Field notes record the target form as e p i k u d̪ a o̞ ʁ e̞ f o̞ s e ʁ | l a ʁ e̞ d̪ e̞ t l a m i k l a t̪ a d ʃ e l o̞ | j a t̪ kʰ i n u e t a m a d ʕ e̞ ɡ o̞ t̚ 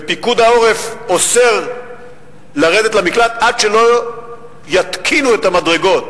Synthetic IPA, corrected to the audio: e p i k u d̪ a o̞ ʁ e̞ f o̞ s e ʁ | l a ʁ e̞ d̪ e̞ t l a m i k l a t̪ a d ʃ e l o̞ | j a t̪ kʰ i n u e t a m a d ʁ e̞ ɡ o̞ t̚